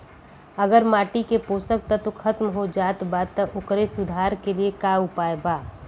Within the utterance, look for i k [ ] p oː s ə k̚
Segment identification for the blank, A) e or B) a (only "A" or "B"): A